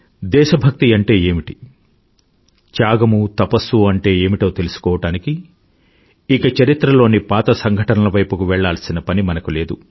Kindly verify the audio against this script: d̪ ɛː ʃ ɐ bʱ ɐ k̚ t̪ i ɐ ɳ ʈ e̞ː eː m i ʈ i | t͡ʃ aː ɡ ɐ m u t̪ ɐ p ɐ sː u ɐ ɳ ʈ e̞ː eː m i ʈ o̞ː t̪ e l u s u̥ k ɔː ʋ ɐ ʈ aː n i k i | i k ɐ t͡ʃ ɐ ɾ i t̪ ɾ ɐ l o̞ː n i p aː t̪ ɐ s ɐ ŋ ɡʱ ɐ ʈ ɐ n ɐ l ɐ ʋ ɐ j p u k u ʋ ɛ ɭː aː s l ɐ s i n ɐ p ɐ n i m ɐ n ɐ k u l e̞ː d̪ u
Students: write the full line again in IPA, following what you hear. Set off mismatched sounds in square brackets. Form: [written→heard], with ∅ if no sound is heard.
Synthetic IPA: d̪ ɛː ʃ ɐ bʱ ɐ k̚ t̪ i ɐ ɳ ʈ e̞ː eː m i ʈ i | t͡ʃ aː ɡ ɐ m u t̪ ɐ p ɐ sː u ɐ ɳ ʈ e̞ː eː m i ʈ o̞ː t̪ e l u s u̥ k ɔː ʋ ɐ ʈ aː n i k i | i k ɐ t͡ʃ ɐ ɾ i t̪ ɾ ɐ l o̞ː n i p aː t̪ ɐ s ɐ ŋ ɡʱ ɐ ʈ ɐ n ɐ l ɐ ʋ ɐ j p u k u ʋ ɛ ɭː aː [s→∅] l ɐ s i n ɐ p ɐ n i m ɐ n ɐ k u l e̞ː d̪ u